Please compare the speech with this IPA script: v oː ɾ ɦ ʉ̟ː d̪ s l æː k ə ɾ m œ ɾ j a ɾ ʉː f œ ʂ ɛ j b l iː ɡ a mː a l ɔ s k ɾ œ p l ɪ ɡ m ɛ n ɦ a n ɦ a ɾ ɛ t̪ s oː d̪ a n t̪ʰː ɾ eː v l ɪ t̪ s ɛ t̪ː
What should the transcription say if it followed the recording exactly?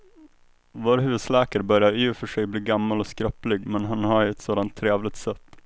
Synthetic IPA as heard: v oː ɾ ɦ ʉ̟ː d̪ s l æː k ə ɾ b œ ɾ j a ɾ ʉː f œ ʂ ɛ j b l iː ɡ a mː a l ɔ s k ɾ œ p l ɪ ɡ m ɛ n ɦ a n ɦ a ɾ ɛ t̪ s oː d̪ a n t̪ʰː ɾ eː v l ɪ t̪ s ɛ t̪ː